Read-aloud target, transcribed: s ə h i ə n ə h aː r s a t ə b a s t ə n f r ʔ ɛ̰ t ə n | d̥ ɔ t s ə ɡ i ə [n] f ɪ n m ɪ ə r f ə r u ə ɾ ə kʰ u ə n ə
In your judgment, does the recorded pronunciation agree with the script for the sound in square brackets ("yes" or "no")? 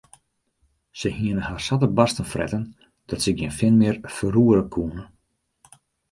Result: yes